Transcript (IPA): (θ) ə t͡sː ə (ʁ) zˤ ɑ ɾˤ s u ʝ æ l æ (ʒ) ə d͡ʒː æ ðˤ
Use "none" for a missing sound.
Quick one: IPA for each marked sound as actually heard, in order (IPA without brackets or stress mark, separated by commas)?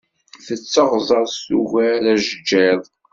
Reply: θ, ʁ, ʒ